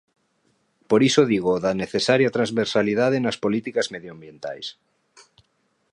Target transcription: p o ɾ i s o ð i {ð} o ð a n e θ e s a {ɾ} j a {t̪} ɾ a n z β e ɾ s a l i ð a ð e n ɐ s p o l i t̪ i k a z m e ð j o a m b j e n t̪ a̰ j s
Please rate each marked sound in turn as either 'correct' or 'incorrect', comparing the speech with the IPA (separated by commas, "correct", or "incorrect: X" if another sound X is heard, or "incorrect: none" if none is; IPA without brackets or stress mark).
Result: incorrect: ɣ, correct, correct